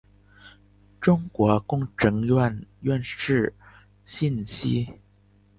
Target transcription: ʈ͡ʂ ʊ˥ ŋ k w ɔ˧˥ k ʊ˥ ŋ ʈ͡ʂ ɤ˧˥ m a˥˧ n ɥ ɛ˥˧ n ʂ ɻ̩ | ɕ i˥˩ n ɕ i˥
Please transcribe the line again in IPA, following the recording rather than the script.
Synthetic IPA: ʈ͡ʂ ʊ˥ ŋ k w ɔ˧˥ k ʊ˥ ŋ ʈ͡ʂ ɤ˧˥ ŋ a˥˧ n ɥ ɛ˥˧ n ʂ ɻ̩ | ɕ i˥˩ n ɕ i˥